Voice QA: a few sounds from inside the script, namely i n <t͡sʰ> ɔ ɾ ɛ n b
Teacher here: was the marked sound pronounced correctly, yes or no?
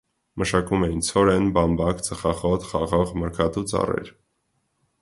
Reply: yes